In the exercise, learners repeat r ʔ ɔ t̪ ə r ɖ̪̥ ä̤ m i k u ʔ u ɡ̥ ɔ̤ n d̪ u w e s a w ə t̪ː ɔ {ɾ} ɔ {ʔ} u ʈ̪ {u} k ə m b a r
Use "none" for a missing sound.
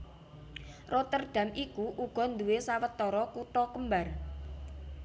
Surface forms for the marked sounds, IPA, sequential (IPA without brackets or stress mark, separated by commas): ɾ, k, ɔ